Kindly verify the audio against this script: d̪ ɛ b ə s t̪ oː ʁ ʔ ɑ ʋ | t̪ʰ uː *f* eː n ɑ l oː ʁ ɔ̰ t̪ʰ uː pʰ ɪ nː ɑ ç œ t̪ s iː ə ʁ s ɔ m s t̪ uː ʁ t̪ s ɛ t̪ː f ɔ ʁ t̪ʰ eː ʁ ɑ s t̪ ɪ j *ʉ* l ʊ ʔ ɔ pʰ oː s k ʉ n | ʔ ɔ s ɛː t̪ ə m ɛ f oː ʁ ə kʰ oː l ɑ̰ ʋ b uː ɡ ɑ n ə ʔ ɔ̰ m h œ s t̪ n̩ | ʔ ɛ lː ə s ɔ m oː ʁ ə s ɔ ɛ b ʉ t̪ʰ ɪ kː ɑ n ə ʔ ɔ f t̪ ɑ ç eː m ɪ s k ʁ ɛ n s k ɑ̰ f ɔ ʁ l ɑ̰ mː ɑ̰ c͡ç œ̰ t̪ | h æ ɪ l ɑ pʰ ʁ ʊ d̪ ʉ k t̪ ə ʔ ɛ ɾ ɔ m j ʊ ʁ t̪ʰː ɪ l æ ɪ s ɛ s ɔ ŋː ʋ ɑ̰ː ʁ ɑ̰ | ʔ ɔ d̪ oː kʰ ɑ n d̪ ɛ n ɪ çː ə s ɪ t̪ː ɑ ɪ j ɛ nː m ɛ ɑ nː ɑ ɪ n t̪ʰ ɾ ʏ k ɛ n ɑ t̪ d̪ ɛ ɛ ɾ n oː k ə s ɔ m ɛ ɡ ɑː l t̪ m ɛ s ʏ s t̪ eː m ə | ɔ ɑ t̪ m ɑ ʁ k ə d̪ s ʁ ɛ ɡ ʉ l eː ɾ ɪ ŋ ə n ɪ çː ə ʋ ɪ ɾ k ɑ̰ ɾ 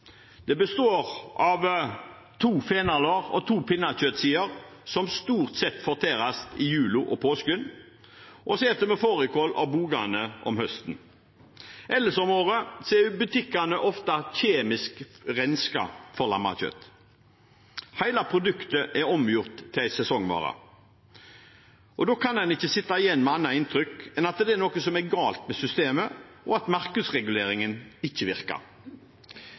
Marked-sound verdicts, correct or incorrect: correct, incorrect

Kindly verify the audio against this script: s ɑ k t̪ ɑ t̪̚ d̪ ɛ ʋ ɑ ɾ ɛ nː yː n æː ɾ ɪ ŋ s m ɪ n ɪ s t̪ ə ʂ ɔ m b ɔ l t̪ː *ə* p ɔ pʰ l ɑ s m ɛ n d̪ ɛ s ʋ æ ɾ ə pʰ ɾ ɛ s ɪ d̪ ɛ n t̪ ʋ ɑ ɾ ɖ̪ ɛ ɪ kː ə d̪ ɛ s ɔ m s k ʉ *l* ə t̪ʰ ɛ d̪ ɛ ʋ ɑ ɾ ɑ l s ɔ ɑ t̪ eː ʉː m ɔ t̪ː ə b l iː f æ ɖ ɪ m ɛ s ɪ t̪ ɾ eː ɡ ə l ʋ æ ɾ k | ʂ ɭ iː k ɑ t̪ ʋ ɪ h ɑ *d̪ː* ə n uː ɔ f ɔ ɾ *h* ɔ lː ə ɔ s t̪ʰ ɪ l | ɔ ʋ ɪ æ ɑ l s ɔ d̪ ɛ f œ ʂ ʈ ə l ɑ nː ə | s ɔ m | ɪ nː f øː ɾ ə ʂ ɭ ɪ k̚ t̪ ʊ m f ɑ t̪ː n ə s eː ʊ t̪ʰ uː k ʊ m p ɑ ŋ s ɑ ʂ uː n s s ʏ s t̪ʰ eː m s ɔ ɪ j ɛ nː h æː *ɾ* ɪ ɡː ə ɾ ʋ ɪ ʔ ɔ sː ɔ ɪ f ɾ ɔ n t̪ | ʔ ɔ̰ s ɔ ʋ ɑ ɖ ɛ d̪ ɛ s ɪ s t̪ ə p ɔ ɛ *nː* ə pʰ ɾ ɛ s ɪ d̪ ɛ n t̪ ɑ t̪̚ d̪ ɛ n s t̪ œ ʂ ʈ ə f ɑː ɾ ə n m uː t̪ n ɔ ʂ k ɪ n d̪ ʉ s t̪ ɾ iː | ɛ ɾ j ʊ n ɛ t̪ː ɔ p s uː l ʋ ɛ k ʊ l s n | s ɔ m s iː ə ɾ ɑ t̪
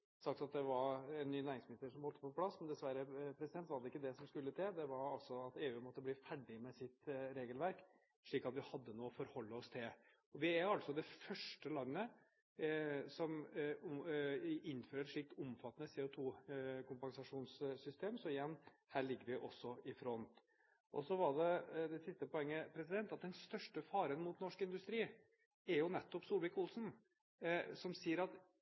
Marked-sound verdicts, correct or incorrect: correct, incorrect, correct, correct, incorrect, incorrect

